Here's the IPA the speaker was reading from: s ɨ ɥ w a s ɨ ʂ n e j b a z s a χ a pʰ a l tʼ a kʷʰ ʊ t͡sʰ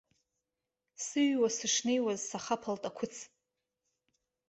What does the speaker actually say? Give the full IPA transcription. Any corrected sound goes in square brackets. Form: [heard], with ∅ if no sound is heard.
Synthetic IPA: s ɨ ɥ w a s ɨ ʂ n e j [w] a z s a χ a pʰ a l tʼ a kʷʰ ʊ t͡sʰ